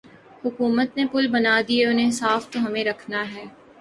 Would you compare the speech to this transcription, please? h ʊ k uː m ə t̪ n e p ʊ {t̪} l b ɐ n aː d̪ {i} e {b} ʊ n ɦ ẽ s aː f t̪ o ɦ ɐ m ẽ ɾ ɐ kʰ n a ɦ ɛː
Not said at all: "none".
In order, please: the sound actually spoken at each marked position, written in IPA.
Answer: none, i, none

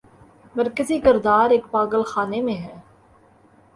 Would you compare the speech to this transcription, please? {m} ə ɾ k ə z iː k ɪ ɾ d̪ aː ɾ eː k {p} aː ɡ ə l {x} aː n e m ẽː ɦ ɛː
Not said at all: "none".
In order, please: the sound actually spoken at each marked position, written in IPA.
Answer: m, p, x

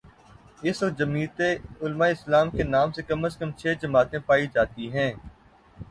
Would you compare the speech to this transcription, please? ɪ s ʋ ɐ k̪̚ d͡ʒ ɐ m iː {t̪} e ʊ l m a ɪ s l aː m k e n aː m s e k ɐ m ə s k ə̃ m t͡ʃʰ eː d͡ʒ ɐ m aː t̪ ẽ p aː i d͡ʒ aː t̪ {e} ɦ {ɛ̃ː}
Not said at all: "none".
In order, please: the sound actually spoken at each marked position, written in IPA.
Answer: t̪, i, ɛ̃ː

